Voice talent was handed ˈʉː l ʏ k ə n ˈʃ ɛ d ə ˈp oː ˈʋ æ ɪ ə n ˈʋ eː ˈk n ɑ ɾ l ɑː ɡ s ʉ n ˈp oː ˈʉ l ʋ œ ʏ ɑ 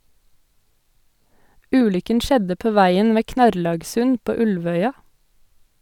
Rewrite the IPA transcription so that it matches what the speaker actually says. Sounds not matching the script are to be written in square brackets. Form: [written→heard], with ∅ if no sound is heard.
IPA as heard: ˈʉː l ʏ k ə n ˈʃ ɛ d ə ˈp oː ˈʋ æ ɪ ə n ˈʋ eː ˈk n ɑ ɾ l ɑː ɡ s ʉ n ˈp oː ˈʉ l ʋ œ ʏ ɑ